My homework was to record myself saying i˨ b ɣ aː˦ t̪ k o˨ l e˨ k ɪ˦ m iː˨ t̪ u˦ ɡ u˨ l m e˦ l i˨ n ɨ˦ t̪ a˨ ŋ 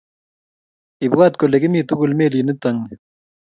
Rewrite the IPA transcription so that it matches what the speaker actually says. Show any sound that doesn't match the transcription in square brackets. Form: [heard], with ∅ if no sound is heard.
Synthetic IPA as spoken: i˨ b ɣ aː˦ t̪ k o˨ l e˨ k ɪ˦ m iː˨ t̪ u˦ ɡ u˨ l m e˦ l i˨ n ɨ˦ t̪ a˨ ŋ